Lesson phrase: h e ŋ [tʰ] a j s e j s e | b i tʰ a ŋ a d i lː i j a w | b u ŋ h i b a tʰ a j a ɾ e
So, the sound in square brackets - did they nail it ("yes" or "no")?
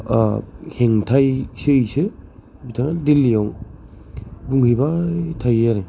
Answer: yes